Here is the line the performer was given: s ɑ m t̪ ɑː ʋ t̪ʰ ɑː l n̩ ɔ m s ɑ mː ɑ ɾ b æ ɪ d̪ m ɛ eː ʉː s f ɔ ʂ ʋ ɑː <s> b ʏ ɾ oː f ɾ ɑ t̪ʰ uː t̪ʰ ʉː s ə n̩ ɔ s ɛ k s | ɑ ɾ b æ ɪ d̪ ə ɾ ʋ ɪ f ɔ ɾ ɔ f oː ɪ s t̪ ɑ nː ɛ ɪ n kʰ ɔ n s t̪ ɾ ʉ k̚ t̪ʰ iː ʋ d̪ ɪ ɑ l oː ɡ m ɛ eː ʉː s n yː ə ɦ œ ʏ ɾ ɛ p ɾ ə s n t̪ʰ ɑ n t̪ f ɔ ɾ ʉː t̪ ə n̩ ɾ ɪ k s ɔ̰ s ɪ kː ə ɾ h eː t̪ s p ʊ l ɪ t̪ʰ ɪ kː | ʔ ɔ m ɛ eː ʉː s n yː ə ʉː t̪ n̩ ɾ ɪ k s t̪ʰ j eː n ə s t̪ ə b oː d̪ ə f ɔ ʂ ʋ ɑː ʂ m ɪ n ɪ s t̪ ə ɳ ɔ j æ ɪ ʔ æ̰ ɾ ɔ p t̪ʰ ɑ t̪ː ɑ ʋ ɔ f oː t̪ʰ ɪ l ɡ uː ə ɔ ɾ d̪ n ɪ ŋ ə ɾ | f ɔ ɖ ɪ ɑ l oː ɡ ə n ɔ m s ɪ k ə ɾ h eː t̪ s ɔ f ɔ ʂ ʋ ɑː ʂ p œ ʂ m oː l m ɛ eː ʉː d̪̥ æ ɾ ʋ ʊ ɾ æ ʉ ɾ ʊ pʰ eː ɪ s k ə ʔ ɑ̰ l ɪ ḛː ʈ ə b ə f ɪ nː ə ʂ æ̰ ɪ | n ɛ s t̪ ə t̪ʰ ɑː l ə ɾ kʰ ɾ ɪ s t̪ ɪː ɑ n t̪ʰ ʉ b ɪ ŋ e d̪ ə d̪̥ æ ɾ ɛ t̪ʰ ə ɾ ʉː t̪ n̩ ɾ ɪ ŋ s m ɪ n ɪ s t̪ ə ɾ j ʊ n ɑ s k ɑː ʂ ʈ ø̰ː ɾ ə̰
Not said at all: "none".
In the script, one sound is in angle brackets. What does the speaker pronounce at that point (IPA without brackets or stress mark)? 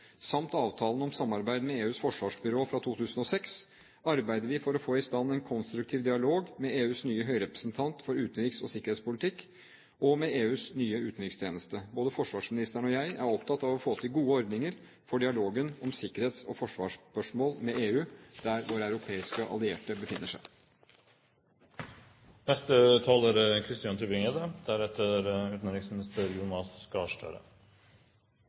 ʂ